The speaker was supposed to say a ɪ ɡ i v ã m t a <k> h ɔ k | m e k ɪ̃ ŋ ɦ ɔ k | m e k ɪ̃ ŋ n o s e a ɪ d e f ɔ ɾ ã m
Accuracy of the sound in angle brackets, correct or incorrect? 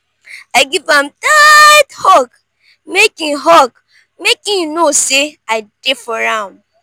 incorrect: t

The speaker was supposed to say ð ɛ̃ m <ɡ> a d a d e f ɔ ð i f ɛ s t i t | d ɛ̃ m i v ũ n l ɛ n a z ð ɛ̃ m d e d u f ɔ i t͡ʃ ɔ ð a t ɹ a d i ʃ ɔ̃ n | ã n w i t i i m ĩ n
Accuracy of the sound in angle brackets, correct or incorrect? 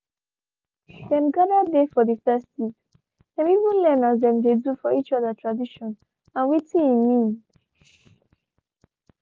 correct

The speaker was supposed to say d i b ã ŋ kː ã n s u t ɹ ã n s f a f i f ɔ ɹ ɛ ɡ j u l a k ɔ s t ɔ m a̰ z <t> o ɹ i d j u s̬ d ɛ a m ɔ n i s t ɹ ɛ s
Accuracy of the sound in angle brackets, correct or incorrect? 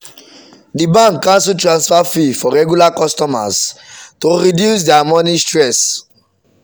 correct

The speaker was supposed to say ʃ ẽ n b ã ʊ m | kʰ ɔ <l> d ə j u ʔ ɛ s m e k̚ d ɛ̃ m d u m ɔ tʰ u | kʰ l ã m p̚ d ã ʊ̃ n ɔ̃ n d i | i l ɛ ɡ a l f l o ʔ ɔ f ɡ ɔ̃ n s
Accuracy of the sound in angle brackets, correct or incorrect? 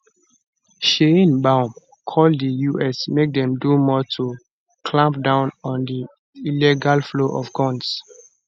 correct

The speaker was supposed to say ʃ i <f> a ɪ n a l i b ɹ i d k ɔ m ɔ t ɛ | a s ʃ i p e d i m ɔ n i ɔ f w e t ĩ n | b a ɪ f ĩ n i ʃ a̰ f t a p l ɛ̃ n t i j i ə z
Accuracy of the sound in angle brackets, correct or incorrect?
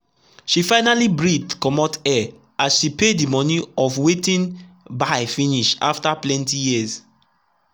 correct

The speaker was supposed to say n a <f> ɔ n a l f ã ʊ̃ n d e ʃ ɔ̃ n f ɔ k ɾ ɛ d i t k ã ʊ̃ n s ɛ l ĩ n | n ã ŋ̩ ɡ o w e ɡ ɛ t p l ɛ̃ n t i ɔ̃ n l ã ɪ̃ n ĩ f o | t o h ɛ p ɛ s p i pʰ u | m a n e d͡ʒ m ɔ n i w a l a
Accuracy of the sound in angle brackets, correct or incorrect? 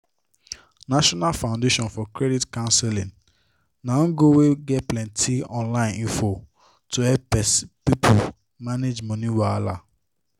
incorrect: ʃ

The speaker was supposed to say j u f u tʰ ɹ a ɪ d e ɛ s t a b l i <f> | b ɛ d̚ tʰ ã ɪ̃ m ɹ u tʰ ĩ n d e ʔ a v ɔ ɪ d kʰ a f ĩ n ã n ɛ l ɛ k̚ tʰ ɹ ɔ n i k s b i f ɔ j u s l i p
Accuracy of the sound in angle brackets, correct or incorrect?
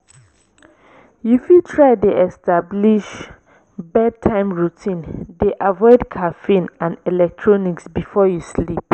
incorrect: ʃ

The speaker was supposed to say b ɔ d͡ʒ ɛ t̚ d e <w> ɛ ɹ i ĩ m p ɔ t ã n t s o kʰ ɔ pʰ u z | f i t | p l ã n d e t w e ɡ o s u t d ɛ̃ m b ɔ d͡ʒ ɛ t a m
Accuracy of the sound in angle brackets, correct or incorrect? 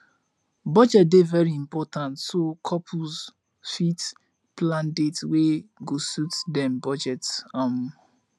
incorrect: v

